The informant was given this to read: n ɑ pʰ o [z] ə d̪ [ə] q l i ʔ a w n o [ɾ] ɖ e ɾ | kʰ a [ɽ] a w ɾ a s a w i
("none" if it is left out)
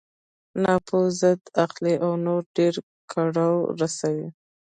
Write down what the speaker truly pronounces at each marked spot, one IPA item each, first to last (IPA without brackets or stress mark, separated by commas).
z, a, ɾ, ɽ